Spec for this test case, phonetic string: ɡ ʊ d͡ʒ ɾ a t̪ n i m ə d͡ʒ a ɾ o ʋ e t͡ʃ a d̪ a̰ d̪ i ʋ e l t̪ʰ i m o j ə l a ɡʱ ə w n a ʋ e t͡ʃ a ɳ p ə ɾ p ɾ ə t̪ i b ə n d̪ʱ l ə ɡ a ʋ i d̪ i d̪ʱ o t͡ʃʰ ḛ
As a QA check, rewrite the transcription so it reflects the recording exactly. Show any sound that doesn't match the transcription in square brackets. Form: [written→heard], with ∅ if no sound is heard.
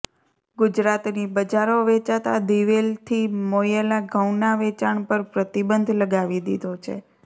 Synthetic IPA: ɡ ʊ d͡ʒ ɾ a t̪ n i [m→b] ə d͡ʒ a ɾ o ʋ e t͡ʃ a [d̪→t̪] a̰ d̪ i ʋ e l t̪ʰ i m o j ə l a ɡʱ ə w n a ʋ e t͡ʃ a ɳ p ə ɾ p ɾ ə t̪ i b ə n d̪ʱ l ə ɡ a ʋ i d̪ i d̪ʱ o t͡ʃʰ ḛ